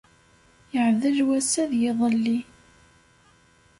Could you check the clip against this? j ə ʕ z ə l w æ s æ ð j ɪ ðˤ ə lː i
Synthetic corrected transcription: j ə ʕ ð ə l w æ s æ ð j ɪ ðˤ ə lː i